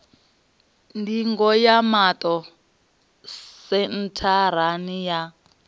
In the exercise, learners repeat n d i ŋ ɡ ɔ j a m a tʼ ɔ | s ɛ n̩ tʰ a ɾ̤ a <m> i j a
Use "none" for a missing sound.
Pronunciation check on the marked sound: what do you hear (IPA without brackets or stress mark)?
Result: n